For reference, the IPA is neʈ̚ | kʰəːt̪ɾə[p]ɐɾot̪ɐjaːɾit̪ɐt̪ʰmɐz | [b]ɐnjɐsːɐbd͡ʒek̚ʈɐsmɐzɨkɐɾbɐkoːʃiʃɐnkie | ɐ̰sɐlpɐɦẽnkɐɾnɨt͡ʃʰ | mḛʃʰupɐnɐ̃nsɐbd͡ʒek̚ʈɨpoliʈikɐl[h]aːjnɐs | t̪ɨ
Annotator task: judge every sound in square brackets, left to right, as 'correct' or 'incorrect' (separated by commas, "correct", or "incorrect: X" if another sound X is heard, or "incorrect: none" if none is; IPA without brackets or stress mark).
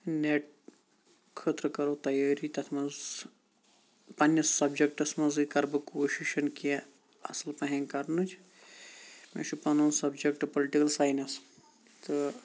incorrect: k, incorrect: p, incorrect: s